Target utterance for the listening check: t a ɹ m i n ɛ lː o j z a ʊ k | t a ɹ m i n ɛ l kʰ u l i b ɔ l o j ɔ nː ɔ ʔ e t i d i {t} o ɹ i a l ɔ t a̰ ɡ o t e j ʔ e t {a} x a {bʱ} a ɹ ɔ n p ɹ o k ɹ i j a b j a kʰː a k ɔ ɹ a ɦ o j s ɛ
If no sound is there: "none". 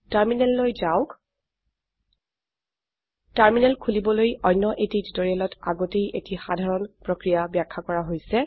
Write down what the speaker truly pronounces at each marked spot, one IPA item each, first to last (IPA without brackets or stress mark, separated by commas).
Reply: t, i, dʱ